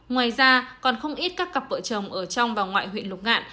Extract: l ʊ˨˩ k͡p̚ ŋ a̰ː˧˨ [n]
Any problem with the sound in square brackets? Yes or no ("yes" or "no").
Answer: no